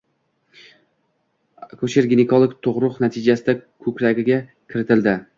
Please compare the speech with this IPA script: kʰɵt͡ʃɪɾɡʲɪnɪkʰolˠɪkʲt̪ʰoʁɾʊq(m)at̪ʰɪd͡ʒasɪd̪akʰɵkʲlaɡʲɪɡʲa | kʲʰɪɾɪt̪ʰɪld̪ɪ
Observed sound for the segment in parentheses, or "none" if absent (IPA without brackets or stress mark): n